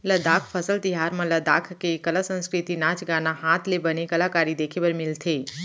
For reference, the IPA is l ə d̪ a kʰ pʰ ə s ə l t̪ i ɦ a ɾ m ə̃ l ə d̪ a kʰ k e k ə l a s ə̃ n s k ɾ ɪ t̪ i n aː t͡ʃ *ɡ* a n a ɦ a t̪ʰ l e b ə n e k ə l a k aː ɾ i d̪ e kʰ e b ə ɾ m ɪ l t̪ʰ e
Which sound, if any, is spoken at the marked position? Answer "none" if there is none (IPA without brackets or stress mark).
ɡ